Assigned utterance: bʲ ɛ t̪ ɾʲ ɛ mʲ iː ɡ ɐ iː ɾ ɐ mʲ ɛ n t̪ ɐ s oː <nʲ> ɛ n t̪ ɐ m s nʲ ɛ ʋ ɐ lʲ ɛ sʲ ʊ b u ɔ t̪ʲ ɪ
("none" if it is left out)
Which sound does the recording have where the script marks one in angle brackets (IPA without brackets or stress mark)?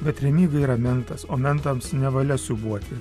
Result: mʲ